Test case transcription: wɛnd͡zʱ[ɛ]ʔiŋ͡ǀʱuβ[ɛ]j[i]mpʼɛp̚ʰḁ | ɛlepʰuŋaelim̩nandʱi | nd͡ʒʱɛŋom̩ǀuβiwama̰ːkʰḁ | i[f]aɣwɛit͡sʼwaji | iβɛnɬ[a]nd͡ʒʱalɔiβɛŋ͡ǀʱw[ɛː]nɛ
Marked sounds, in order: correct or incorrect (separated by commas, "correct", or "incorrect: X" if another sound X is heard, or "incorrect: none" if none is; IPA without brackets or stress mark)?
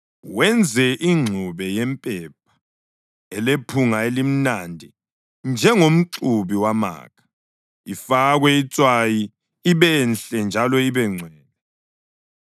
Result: correct, correct, incorrect: ɛ, correct, incorrect: ɛ, correct